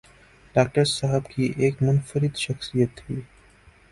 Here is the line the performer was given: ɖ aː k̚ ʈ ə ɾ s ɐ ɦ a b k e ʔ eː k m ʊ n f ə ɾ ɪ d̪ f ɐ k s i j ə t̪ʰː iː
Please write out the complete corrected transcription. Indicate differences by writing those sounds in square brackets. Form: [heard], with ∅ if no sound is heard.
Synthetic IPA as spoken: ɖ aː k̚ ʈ ə ɾ s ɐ ɦ [ə] b k [i] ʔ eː k m ʊ n f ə ɾ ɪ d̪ [ʃ] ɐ [x] s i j ə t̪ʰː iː

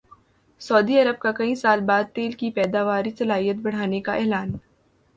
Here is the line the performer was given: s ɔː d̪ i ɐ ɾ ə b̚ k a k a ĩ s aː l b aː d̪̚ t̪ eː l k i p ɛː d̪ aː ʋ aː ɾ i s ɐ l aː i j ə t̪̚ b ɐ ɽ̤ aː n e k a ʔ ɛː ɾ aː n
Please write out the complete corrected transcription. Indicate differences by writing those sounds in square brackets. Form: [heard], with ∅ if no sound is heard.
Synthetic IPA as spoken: s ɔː d̪ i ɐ ɾ ə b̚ k a k [ɐ] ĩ s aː l b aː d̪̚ t̪ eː l k i p ɛː d̪ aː ʋ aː ɾ i s ɐ l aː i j ə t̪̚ b ɐ ɽ̤ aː n e k a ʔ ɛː [l] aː n

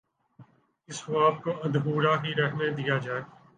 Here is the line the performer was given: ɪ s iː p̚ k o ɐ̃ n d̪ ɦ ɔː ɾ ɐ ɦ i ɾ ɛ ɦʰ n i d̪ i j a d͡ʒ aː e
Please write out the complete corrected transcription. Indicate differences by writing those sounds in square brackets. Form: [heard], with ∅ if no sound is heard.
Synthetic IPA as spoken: ɪ s [aː] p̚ k o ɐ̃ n d̪ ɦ [uː] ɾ [a] ɦ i ɾ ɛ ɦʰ n [e] d̪ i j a d͡ʒ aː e

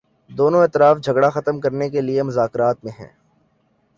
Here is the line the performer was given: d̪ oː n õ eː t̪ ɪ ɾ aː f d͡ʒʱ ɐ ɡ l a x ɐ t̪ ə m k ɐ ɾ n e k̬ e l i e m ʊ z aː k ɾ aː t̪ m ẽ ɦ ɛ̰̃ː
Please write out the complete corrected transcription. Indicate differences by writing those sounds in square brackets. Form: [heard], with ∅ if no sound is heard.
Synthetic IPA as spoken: d̪ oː n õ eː t̪ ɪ ɾ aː f d͡ʒʱ ɐ ɡ [ɽ] a x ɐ t̪ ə m k ɐ ɾ n e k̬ e l i e m ʊ z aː k ɾ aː t̪ m ẽ ɦ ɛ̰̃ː

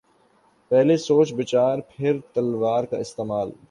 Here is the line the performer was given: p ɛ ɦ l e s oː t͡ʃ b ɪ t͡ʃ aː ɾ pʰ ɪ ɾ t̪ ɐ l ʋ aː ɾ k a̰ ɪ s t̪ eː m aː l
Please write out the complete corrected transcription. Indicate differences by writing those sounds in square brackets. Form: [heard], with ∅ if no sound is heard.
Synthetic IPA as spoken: p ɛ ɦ l e s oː t͡ʃ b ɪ t͡ʃ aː ɾ pʰ ɪ ɾ t̪ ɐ l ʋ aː ɾ k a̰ ɪ s t̪ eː m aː l

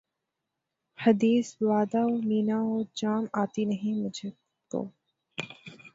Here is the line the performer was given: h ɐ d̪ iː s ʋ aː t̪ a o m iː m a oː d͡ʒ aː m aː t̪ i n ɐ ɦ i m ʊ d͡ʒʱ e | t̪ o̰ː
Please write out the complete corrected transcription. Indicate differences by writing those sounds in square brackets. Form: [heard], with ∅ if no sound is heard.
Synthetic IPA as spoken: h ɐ d̪ iː s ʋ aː [d̪] a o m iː [n] a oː d͡ʒ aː m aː t̪ i n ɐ ɦ [ĩ] m ʊ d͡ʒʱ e | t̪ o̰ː

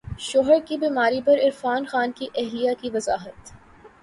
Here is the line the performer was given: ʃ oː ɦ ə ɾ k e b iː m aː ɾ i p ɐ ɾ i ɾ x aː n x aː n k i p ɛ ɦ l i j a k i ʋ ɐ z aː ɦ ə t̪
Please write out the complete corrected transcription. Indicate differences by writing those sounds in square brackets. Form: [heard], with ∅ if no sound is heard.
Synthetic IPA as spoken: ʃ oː ɦ ə ɾ k [i] b iː m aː ɾ i p ɐ ɾ [ɪ] ɾ [f] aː n x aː n k i [ʔ] ɛ ɦ l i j a k i ʋ ɐ z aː ɦ ə t̪

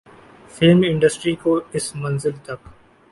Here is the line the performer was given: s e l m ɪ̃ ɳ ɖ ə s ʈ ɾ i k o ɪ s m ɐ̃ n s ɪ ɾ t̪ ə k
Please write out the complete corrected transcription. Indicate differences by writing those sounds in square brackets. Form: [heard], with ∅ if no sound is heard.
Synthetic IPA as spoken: [f] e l m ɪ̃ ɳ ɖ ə s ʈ ɾ i k o ɪ s m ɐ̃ n [z] ɪ [l] t̪ [ɐ] k

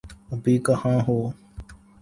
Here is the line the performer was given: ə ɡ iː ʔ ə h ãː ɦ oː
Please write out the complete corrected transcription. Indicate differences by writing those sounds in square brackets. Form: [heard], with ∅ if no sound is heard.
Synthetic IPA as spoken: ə [b] iː [k] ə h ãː ɦ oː

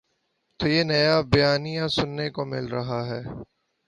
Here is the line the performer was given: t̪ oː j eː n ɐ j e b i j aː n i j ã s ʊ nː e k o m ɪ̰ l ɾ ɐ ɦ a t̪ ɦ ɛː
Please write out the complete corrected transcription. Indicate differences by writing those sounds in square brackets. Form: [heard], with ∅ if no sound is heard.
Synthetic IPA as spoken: t̪ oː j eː n ɐ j [a] b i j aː n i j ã s ʊ nː e k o m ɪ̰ l ɾ ɐ ɦ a [∅] ɦ ɛː

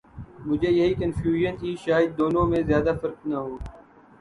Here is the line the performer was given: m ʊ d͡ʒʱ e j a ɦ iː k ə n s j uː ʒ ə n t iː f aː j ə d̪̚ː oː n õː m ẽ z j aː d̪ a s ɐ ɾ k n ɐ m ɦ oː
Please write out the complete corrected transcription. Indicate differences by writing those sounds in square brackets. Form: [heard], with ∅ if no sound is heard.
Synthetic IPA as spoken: m ʊ d͡ʒʱ e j [ɐ] ɦ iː k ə n [f] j uː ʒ ə n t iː [ʃ] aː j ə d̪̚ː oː n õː m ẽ z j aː d̪ a [f] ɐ ɾ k n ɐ [∅] ɦ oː

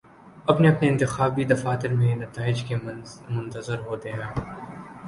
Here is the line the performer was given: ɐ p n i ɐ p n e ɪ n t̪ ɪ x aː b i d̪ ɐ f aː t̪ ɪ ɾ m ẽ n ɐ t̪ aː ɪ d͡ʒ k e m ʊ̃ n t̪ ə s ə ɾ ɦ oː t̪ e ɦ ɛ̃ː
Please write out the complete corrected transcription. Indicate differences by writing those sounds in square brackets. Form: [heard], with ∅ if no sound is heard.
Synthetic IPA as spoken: ɐ p n [e] ɐ p n e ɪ n t̪ ɪ x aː b i d̪ ɐ f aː t̪ ɪ ɾ m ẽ n ɐ t̪ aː ɪ d͡ʒ k e m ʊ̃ n t̪ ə [z] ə ɾ ɦ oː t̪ e ɦ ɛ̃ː

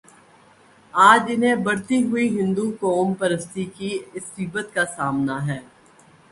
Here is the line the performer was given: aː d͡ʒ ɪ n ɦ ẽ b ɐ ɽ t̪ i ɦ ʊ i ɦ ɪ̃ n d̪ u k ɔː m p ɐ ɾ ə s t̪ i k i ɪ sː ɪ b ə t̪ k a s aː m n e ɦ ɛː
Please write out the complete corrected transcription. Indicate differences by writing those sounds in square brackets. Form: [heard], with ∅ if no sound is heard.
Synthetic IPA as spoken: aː d͡ʒ ɪ n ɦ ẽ b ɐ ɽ t̪ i ɦ ʊ i ɦ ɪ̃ n d̪ u k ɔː m p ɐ ɾ ə s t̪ i k i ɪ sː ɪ b ə t̪ k a s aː m n [a] ɦ ɛː

